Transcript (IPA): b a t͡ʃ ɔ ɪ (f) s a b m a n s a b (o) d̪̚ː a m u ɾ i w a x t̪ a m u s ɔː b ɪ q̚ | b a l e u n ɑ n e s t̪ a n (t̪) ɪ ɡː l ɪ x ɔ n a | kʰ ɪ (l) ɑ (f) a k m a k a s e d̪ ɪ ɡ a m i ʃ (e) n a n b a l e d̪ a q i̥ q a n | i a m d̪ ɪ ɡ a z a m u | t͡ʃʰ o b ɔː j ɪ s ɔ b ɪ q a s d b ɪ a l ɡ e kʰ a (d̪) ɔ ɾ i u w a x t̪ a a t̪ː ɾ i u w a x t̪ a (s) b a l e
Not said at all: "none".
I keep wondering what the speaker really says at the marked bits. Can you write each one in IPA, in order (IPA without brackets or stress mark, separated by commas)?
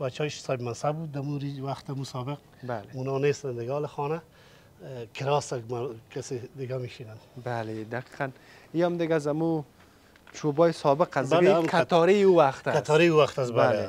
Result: ʃ, u, d̪, ɾ, s, i, t̪, s